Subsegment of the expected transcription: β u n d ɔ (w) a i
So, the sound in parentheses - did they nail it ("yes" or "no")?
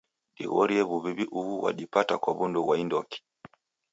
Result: yes